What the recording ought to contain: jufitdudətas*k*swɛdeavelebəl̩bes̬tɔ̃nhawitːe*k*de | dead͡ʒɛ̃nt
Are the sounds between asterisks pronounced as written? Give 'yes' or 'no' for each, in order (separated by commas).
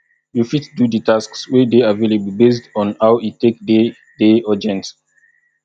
yes, yes